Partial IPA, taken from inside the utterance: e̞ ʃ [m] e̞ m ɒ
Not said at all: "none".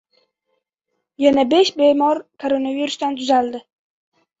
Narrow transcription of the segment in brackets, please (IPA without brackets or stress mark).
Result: b